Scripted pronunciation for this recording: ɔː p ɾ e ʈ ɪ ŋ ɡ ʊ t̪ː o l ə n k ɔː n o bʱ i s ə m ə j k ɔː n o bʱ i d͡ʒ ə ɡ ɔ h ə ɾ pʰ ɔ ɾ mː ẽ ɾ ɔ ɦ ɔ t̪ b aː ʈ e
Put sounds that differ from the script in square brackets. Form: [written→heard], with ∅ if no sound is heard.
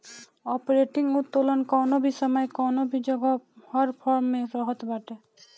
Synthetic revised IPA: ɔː p ɾ e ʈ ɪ ŋ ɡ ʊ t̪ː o l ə n k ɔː n o bʱ i s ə m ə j k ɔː n o bʱ i d͡ʒ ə ɡ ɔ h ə ɾ pʰ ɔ ɾ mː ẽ ɾ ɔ ɦ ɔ t̪ b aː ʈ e